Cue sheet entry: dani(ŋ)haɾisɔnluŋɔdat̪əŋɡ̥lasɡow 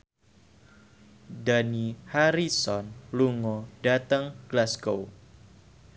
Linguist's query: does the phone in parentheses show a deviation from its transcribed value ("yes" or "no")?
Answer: yes